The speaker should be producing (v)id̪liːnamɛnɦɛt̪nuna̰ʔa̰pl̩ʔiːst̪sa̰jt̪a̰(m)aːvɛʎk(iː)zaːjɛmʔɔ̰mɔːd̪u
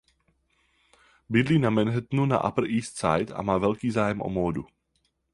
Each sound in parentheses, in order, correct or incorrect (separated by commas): incorrect, correct, correct